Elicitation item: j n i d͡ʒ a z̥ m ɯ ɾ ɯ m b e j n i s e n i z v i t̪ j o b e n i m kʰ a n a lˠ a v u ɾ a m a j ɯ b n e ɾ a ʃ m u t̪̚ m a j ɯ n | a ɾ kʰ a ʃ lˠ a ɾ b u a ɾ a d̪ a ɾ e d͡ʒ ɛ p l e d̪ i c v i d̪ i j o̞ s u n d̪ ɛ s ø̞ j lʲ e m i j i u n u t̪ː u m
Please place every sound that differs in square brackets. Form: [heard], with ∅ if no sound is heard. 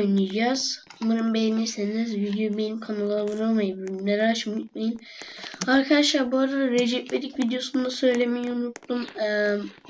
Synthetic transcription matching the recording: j n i d͡ʒ a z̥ m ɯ ɾ ɯ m b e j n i s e n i z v i [d̪] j o b e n i m kʰ a n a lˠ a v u ɾ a m a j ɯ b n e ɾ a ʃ m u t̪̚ m a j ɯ n | a ɾ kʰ a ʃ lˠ a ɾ b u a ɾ a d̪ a ɾ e d͡ʒ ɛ p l e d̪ i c v i d̪ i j o̞ s u n d̪ [a] s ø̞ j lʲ e m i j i u n u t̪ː u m